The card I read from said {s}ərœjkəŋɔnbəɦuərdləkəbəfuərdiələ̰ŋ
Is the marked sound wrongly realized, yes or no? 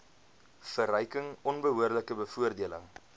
yes